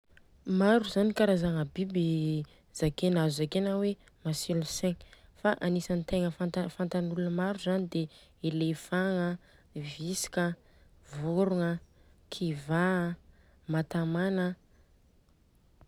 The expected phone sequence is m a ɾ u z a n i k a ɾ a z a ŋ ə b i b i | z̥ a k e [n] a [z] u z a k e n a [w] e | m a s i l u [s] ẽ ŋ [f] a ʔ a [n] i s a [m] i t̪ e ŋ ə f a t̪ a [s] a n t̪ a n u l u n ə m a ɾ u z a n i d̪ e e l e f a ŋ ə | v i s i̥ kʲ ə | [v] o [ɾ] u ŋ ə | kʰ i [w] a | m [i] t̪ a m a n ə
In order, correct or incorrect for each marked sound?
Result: correct, correct, correct, correct, correct, correct, incorrect, incorrect, correct, correct, incorrect, incorrect

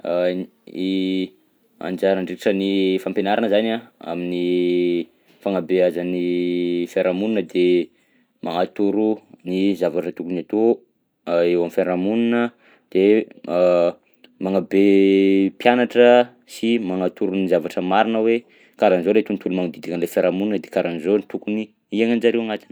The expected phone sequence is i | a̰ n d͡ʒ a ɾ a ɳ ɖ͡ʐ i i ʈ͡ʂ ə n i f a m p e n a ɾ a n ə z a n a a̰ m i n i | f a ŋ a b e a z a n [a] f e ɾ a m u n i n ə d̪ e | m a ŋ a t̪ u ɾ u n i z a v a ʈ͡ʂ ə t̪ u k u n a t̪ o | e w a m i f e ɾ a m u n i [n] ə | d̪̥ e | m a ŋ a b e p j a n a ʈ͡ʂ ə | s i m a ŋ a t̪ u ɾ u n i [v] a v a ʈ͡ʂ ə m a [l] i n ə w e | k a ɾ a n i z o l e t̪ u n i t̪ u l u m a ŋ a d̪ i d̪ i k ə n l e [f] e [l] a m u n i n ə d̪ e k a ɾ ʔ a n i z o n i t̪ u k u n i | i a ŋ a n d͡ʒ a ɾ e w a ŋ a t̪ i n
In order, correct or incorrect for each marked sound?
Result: incorrect, correct, incorrect, incorrect, correct, incorrect

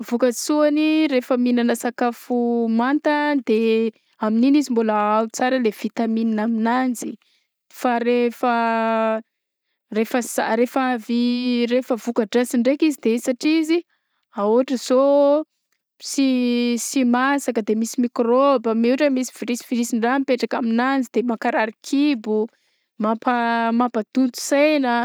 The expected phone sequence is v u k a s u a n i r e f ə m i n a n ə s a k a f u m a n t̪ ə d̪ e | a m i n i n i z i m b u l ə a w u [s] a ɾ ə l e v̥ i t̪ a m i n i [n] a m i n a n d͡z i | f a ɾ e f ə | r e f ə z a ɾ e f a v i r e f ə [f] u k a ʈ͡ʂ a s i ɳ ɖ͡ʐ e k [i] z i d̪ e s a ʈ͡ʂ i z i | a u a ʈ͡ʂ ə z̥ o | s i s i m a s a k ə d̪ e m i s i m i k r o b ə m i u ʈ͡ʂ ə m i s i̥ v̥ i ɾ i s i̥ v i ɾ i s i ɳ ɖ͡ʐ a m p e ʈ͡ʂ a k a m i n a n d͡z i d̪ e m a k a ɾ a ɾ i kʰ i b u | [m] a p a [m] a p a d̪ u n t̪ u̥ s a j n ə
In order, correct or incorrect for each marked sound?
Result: incorrect, correct, incorrect, correct, correct, correct

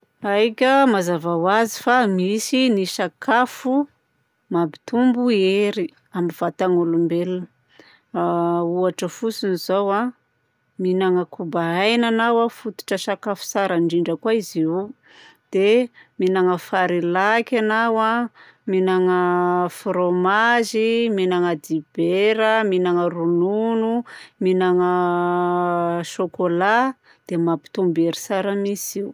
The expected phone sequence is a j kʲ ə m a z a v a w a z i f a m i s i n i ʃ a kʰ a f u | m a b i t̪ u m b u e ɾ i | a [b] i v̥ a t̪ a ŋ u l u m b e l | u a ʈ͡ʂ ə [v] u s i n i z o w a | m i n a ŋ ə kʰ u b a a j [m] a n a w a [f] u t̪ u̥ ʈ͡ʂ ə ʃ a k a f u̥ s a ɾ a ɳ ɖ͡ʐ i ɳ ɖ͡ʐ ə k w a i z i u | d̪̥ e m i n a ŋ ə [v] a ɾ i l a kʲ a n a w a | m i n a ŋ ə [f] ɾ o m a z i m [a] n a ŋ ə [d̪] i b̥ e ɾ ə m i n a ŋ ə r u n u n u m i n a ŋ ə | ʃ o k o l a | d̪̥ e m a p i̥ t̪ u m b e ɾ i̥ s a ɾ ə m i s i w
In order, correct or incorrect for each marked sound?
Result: incorrect, incorrect, incorrect, correct, incorrect, correct, incorrect, correct

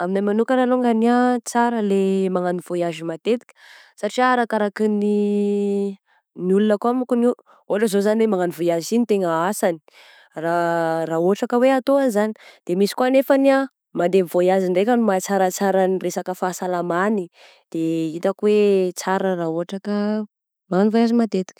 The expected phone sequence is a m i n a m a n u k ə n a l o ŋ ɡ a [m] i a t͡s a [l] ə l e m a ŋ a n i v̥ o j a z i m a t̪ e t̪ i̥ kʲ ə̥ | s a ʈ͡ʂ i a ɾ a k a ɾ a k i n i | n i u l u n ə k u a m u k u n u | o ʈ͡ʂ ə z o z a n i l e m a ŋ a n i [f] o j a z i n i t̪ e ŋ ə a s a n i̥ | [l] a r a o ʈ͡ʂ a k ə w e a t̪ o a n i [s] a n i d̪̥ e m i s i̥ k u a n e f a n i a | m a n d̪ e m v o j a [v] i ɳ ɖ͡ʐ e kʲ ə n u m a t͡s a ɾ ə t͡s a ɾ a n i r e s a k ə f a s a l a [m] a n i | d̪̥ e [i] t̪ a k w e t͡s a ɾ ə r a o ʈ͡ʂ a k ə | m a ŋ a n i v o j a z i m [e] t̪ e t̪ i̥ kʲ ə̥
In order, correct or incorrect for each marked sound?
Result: incorrect, incorrect, incorrect, incorrect, incorrect, incorrect, correct, correct, incorrect

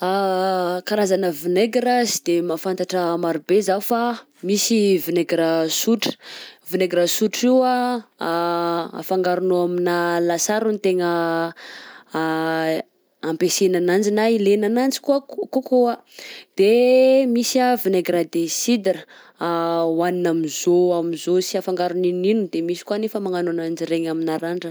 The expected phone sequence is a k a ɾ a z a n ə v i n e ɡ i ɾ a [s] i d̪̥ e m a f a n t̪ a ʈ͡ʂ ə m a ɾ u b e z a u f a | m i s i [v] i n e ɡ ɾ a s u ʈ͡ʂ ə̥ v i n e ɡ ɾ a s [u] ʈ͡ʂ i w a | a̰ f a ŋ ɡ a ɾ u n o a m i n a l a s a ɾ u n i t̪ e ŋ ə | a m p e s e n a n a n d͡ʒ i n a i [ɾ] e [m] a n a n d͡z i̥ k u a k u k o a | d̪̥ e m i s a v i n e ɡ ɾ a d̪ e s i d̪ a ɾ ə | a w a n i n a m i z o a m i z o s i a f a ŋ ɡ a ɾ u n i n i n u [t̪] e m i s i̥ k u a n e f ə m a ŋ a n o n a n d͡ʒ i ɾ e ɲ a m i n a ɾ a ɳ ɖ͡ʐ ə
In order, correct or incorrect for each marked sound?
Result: incorrect, correct, correct, incorrect, incorrect, incorrect

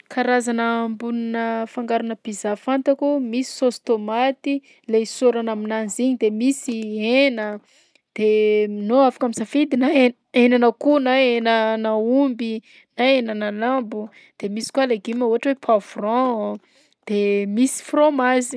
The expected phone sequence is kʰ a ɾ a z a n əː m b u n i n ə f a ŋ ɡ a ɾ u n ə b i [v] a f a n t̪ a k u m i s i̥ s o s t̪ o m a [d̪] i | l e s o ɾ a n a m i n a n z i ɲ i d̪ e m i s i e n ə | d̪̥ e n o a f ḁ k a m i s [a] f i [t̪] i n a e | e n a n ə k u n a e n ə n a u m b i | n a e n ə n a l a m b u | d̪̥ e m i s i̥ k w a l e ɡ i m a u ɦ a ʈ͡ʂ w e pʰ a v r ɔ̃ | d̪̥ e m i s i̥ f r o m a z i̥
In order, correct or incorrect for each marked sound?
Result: incorrect, incorrect, correct, incorrect

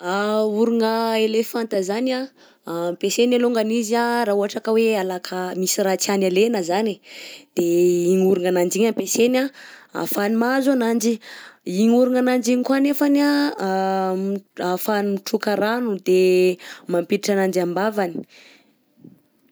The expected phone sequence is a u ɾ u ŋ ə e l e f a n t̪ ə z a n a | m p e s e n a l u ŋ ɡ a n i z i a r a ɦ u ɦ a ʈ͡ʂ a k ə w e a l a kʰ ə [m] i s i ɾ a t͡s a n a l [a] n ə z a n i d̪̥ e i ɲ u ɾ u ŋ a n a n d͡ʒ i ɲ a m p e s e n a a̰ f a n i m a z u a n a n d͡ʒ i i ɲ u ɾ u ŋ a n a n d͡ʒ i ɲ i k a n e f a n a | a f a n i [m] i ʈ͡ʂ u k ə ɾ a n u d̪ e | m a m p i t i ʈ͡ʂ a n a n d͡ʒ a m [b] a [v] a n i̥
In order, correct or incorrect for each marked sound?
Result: correct, incorrect, correct, correct, correct

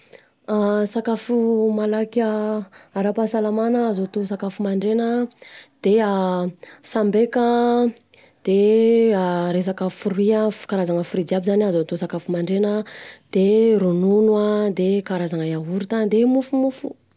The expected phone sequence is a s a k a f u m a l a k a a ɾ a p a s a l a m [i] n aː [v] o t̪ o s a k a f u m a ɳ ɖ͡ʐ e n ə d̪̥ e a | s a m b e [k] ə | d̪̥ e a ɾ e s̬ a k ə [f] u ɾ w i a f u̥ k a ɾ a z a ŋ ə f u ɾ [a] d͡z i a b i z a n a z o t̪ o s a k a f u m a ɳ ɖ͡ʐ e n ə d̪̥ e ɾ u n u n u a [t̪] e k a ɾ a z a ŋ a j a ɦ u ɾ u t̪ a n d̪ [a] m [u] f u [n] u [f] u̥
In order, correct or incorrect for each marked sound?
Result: incorrect, incorrect, correct, correct, incorrect, incorrect, incorrect, correct, incorrect, correct

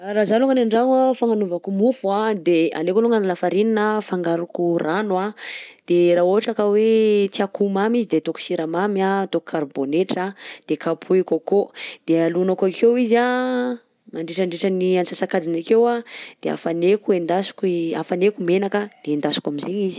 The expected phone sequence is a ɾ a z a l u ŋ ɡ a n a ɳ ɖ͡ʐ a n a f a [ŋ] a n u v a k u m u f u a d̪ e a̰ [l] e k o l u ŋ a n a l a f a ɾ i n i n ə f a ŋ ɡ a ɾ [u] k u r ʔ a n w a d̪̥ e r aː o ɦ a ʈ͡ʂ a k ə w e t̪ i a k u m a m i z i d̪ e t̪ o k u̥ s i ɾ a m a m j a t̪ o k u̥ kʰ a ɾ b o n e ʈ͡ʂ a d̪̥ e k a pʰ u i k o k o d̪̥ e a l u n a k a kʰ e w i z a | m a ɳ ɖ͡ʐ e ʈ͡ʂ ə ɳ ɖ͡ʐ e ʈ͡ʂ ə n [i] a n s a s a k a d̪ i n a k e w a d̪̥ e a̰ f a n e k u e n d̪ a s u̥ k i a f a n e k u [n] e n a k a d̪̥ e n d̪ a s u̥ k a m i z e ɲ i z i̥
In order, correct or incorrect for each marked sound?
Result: correct, correct, correct, correct, incorrect

